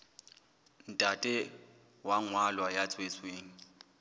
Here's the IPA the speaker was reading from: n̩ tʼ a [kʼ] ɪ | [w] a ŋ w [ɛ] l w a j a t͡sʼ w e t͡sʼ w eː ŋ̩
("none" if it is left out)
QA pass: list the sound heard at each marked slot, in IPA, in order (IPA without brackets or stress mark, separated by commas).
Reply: tʼ, w, a